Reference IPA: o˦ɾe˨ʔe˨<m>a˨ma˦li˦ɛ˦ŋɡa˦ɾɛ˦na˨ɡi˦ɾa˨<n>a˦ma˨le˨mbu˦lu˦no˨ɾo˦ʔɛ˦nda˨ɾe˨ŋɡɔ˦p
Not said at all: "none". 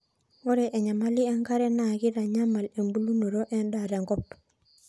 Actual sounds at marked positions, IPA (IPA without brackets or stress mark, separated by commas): ɲ, ɲ